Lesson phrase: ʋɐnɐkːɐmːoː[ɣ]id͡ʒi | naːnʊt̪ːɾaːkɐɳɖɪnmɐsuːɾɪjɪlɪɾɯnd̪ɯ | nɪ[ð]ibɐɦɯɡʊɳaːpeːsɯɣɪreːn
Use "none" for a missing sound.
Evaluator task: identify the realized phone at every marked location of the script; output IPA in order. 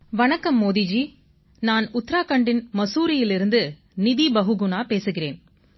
ð, ð

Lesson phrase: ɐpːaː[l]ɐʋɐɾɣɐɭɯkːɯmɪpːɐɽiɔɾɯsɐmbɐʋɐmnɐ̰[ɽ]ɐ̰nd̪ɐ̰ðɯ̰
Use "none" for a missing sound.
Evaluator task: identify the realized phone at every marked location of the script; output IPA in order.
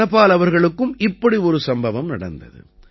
l, ɽ

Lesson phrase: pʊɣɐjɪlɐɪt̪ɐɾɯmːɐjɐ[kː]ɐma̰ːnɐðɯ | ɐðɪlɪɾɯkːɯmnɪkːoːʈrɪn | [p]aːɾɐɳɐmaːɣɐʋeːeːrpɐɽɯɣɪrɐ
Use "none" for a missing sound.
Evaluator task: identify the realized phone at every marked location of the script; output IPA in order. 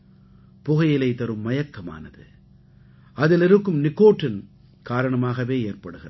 kː, k

